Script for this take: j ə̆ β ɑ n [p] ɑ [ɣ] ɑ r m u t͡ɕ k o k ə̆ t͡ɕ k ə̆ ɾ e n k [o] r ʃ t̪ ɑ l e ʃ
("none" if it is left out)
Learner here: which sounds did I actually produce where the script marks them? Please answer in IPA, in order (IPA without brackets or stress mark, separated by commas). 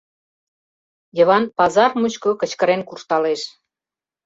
p, z, u